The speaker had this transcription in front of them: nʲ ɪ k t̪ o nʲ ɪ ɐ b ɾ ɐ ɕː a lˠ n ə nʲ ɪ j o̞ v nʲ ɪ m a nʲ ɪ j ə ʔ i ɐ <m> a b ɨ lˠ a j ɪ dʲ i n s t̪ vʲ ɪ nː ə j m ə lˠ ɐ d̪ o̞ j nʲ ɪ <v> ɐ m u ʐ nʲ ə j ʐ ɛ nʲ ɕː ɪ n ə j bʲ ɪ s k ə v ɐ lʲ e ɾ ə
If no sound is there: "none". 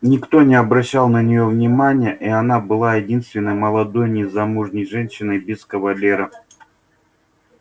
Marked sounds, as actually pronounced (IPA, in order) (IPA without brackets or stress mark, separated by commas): n, z